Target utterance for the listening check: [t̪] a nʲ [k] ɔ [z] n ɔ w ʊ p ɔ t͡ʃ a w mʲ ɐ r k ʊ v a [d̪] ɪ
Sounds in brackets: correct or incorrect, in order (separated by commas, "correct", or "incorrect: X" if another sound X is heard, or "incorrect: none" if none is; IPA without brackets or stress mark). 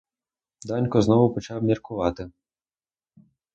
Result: incorrect: d̪, correct, correct, incorrect: t̪